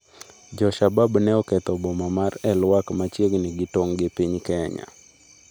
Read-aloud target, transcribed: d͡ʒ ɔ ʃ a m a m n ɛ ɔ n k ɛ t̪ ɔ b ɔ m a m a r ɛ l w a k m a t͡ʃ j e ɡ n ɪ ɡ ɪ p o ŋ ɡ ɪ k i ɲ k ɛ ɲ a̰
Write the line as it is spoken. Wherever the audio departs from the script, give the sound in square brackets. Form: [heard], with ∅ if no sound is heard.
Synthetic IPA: d͡ʒ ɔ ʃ a [b] a [b] n ɛ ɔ [∅] k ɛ t̪ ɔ b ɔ m a m a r ɛ l w a k m a t͡ʃ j e ɡ n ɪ ɡ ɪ [t] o ŋ ɡ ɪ [p] i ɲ k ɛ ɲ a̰